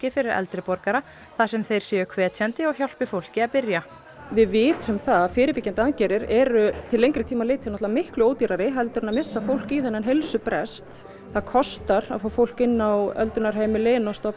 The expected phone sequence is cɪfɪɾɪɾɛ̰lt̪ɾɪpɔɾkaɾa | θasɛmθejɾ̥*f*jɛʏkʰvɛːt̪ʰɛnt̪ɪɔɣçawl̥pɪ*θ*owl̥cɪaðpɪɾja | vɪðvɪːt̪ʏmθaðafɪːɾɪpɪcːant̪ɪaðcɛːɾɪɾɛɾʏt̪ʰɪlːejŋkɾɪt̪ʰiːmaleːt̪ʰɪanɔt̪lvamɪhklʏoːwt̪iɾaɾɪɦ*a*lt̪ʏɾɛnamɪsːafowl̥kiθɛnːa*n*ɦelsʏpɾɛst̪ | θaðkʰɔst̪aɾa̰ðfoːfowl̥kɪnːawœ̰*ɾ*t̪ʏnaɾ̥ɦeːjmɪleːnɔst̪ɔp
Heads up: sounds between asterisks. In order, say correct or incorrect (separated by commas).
incorrect, incorrect, incorrect, correct, incorrect